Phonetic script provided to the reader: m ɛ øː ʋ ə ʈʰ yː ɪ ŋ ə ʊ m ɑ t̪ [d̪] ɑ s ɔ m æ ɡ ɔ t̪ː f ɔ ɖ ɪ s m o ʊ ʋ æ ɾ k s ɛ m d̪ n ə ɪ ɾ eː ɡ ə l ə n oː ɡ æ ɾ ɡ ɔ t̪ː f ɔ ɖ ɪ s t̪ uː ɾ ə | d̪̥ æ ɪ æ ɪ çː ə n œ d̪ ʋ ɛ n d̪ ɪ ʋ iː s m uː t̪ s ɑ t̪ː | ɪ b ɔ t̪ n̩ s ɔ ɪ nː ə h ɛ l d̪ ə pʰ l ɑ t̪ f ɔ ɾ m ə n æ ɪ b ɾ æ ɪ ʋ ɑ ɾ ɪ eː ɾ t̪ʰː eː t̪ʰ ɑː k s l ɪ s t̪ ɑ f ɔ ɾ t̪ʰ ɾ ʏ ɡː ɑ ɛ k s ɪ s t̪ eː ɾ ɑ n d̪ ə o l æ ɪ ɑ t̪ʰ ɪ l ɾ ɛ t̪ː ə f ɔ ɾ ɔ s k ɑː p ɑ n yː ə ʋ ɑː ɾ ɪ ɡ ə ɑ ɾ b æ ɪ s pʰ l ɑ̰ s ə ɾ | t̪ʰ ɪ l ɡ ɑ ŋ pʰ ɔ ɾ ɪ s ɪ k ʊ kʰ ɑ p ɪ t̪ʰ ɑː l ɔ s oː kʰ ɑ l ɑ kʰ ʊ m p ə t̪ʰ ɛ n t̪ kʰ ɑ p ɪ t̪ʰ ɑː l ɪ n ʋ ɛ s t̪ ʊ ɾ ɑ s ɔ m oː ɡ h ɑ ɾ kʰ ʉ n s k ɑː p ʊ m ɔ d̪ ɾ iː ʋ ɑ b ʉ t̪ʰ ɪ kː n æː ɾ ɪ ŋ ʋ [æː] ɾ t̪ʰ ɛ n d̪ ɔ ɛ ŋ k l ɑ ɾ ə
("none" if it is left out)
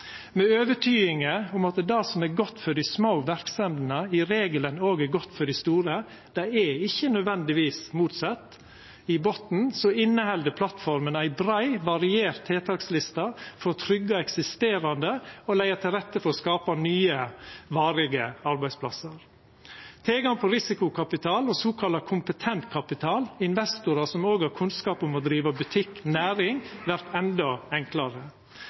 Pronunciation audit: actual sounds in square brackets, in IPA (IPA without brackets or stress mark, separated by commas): d̪, æ